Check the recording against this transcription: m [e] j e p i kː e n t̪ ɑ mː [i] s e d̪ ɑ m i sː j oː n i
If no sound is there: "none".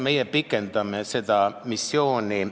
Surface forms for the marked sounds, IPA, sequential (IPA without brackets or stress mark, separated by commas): e, e